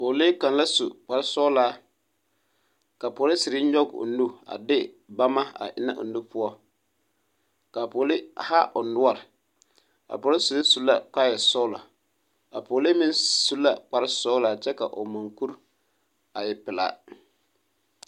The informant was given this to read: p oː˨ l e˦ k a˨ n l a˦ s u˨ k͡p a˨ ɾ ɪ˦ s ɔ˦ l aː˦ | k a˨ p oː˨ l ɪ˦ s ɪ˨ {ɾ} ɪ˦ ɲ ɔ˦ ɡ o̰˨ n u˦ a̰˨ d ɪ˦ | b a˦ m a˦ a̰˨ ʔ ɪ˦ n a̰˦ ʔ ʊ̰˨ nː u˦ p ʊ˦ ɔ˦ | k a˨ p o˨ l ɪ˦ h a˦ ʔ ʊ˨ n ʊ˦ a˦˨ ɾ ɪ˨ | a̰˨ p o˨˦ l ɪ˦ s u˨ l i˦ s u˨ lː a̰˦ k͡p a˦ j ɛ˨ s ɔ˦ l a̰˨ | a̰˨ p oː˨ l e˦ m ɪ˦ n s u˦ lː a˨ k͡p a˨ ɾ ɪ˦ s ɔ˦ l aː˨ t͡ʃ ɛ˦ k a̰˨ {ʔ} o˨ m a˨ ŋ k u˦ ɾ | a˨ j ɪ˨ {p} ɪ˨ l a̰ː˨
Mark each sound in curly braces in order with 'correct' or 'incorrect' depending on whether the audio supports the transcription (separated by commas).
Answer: correct, correct, correct